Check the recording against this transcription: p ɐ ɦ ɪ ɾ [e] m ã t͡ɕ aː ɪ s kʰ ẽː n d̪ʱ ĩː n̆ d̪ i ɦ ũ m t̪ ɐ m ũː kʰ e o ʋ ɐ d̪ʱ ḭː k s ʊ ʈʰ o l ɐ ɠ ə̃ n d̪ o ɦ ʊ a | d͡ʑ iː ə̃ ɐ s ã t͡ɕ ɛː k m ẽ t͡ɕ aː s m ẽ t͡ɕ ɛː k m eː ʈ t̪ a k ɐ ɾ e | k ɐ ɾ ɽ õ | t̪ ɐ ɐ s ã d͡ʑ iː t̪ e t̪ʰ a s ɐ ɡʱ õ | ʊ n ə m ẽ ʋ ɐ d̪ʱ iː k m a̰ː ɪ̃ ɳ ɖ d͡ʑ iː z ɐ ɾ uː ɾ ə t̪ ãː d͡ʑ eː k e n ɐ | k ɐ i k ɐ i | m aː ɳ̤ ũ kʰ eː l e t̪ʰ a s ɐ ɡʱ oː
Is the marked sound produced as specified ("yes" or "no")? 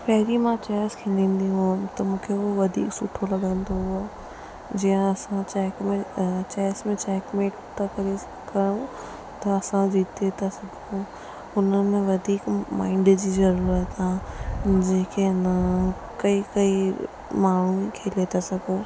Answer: no